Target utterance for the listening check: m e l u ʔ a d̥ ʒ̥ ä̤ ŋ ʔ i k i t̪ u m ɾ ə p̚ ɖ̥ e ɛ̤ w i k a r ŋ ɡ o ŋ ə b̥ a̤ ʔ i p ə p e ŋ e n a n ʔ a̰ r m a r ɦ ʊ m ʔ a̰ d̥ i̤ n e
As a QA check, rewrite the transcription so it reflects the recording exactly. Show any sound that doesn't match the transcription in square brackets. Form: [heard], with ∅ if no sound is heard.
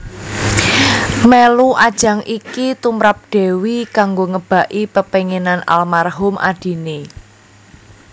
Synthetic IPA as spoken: m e l u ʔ a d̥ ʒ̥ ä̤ ŋ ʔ i k i t̪ u m ɾ [a] p̚ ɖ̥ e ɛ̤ w i k a [∅] ŋ ɡ o ŋ ə b̥ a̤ ʔ i p ə p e ŋ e n a n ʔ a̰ [l] m a r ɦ ʊ m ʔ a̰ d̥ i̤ n e